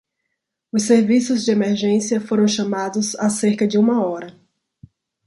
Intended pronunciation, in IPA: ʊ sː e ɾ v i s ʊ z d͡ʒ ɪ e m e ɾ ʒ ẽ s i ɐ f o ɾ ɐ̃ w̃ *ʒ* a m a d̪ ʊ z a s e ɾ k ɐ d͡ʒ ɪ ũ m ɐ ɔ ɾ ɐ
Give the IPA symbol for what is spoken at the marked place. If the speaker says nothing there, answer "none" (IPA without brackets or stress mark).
ʃ